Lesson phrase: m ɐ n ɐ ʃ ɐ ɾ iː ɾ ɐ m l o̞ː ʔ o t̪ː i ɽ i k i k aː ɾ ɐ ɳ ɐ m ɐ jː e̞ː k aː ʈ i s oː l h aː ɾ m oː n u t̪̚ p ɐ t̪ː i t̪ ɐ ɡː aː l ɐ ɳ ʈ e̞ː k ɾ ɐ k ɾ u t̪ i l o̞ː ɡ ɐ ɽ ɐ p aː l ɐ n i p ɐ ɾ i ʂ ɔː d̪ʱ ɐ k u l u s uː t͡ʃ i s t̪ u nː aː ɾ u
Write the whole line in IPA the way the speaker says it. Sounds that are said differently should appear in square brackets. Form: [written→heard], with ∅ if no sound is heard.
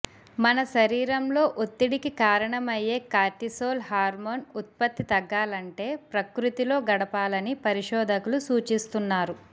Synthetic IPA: m ɐ n ɐ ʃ ɐ ɾ iː ɾ ɐ m l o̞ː ʔ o t̪ː i ɽ i k i k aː ɾ ɐ ɳ ɐ m ɐ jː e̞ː k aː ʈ i s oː l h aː ɾ m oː n u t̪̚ p ɐ t̪ː i t̪ ɐ ɡː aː l ɐ ɳ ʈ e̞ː [k→p] ɾ ɐ k ɾ u t̪ i l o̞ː ɡ ɐ ɽ ɐ p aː l ɐ n i p ɐ ɾ i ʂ ɔː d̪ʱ ɐ k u l u s uː t͡ʃ i s t̪ u nː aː ɾ u